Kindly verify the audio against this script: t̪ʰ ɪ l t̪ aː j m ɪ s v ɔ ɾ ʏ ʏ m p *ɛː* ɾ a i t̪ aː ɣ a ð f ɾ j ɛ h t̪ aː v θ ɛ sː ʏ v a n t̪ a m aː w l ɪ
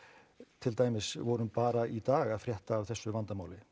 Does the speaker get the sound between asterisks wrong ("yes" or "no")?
yes